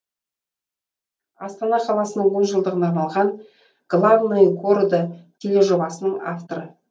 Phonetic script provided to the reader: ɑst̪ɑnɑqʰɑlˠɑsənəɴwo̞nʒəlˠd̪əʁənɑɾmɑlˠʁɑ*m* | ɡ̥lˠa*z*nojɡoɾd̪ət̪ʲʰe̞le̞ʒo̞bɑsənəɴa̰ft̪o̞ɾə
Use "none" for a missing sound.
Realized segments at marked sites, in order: n, v

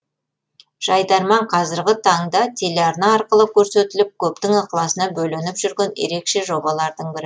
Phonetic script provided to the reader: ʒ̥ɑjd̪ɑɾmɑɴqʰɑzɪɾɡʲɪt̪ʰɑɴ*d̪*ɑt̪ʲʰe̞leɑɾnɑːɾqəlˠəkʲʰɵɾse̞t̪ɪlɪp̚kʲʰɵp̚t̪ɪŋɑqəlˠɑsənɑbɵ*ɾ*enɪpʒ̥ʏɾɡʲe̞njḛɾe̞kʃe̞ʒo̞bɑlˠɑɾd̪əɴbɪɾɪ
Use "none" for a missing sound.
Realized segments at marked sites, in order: d̪, l

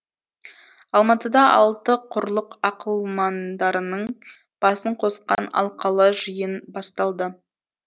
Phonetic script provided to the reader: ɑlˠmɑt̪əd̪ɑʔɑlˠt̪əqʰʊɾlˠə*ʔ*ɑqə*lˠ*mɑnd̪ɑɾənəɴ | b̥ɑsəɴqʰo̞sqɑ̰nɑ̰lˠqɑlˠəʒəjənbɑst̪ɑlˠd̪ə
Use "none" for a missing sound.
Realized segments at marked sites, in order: q, lˠ

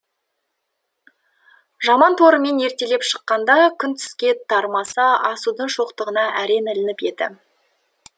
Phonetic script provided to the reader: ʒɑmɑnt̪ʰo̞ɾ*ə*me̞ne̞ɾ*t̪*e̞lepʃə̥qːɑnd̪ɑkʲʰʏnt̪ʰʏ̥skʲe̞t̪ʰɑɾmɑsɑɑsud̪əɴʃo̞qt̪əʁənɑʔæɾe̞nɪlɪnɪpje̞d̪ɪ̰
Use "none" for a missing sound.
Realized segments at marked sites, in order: ə, t̪

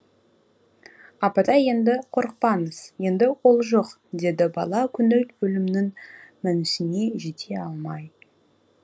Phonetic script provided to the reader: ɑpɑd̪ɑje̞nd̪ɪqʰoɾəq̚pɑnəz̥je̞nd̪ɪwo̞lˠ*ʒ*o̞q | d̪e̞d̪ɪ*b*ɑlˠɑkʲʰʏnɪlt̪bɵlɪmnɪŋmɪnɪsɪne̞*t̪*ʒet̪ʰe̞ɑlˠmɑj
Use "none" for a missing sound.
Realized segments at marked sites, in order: ʒ, b, none

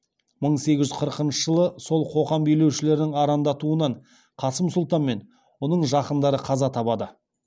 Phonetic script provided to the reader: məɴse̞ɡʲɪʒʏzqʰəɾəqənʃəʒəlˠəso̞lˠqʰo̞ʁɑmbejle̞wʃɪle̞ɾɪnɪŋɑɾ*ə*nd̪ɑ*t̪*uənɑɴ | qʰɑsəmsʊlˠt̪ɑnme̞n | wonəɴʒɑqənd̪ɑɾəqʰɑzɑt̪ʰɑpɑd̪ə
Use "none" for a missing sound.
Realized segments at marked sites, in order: ɑ, t̪

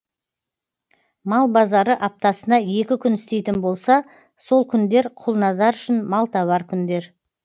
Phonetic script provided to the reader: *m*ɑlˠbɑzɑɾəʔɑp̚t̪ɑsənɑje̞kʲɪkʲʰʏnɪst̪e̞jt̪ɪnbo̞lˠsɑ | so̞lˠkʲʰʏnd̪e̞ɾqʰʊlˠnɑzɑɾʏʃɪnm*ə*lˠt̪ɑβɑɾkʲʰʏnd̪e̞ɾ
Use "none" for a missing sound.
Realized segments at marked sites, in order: m, ɑ

